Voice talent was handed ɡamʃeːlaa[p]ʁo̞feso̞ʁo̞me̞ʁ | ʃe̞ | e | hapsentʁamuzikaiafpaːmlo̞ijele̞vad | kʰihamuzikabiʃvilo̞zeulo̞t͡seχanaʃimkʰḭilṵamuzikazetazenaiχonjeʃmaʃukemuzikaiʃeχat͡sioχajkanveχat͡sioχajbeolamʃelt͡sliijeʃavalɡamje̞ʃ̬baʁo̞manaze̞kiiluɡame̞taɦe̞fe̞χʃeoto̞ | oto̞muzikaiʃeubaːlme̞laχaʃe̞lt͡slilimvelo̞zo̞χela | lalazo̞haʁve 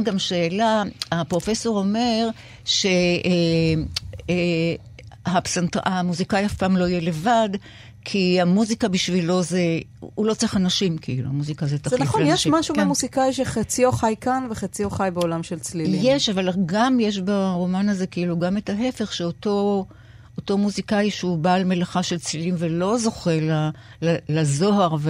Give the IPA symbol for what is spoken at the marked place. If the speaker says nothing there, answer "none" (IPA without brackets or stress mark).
p